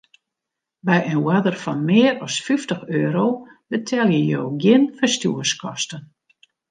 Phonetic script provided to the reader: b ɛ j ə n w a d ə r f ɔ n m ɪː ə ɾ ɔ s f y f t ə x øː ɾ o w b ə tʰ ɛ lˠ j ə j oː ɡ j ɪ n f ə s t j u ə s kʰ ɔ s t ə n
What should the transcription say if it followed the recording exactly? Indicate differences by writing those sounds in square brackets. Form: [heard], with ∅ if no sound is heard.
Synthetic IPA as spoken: b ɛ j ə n w a d ə r f ɔ n m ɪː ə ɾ ɔ s f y f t ə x øː ɾ o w b ə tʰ ɛ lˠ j ə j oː ɡ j ɪ n f ə s t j u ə s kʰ ɔ s t ə n